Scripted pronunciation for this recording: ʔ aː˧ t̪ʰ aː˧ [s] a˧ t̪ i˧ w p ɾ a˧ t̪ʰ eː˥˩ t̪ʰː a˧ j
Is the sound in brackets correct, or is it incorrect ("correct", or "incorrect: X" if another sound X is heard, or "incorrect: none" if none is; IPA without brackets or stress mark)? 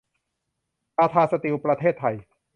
correct